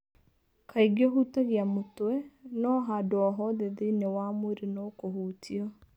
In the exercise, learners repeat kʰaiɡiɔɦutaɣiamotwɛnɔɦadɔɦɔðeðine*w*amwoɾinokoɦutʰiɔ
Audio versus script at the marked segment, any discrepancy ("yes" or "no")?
no